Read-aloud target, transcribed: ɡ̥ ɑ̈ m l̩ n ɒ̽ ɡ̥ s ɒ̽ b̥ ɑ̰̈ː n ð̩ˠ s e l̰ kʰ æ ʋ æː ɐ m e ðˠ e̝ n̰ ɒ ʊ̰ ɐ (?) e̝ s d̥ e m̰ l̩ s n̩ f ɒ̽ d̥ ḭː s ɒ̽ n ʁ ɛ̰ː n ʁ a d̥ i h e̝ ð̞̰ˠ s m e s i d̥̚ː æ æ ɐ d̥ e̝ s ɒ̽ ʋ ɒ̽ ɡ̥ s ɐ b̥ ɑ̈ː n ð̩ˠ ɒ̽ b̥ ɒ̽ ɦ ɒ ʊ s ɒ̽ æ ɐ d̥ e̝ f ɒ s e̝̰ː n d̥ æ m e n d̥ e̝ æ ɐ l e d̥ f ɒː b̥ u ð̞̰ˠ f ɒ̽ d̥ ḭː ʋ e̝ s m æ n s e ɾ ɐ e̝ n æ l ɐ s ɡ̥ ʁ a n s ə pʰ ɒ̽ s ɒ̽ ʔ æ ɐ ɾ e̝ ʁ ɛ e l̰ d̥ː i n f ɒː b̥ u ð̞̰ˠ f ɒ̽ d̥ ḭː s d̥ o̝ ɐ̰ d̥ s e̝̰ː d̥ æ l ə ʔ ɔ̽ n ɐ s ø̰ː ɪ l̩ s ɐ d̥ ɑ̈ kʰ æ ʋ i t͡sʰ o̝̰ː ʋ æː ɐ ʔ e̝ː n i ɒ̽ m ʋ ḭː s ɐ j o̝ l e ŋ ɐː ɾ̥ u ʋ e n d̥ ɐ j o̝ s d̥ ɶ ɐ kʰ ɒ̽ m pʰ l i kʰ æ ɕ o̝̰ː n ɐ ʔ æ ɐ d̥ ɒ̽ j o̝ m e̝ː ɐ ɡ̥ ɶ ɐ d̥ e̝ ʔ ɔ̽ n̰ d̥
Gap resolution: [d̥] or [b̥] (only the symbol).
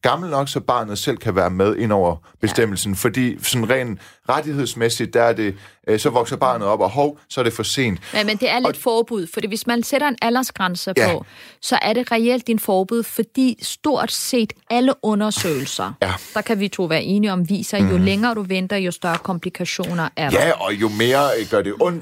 b̥